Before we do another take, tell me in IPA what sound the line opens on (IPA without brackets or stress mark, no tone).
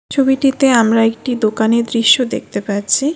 t͡ɕʰ